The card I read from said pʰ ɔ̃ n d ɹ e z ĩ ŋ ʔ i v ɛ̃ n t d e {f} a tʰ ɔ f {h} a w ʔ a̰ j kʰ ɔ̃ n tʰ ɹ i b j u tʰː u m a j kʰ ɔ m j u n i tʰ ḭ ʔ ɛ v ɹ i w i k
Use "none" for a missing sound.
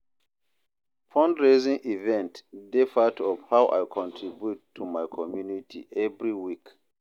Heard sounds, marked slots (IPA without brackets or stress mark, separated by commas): f, h